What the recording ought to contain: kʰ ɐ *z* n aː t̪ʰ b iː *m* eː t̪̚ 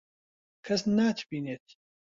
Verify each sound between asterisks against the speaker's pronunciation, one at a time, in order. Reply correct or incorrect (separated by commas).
incorrect, incorrect